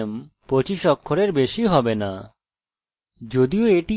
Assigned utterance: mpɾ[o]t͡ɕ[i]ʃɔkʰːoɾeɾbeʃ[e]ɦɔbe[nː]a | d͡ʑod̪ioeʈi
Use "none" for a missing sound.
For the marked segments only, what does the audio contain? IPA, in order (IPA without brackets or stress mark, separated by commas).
o, i, i, n